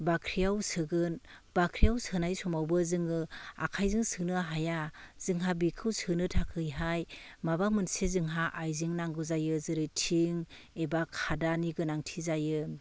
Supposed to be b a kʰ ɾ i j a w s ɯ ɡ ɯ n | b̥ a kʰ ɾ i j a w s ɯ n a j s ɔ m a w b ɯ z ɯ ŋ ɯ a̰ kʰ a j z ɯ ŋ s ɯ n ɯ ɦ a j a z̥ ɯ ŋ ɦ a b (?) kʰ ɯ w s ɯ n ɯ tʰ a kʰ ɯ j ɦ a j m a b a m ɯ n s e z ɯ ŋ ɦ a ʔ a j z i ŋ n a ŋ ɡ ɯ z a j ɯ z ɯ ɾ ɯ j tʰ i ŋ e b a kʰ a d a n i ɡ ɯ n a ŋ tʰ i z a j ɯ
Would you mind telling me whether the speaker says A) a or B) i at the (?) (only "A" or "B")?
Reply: B